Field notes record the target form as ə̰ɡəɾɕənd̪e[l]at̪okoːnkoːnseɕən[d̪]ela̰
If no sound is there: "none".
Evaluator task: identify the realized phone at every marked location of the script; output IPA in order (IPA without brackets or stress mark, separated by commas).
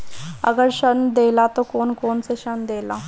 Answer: l, d̪